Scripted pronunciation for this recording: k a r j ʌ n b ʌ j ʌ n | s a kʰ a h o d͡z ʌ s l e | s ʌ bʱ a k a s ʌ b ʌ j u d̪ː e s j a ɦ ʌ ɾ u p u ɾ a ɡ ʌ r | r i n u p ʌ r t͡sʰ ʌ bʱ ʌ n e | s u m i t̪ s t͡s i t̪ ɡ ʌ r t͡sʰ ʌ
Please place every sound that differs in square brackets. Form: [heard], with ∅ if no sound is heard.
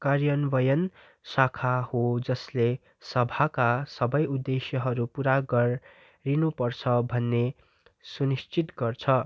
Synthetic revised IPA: k a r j ʌ n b ʌ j ʌ n | s a kʰ a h o d͡z ʌ s l e | s ʌ bʱ a k a s ʌ b ʌ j u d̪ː e s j [ʌ] ɦ ʌ ɾ u p u ɾ a ɡ ʌ r | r i n u p ʌ r t͡sʰ ʌ bʱ ʌ [nː] e | s u [n] i [∅] s t͡s i t̪ ɡ ʌ r t͡sʰ ʌ